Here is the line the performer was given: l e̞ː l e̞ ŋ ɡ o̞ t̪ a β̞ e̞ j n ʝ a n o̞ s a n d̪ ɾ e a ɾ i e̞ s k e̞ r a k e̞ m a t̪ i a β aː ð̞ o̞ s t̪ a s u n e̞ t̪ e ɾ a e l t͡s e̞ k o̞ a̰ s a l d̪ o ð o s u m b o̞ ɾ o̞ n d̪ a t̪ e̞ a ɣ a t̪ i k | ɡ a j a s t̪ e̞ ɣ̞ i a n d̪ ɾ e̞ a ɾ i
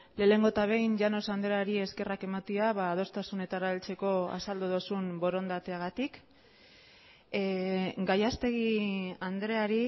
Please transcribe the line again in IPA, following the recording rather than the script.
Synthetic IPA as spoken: l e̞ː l e̞ ŋ ɡ o̞ t̪ a β̞ e̞ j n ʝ a n o̞ s a n d̪ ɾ e a ɾ i e̞ s k e̞ r a k e̞ m a t̪ i a β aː ð̞ o̞ s t̪ a s u n e̞ t̪ a ɾ a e l t͡s e̞ k o̞ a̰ s a l d̪ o ð o s u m b o̞ ɾ o̞ n d̪ a t̪ e̞ a ɣ a t̪ i k | ɡ a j a s t̪ e̞ ɣ̞ i a n d̪ ɾ e̞ a ɾ i